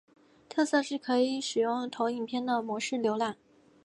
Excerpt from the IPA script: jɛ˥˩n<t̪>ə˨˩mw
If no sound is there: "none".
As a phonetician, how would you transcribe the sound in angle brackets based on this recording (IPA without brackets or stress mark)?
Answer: d̪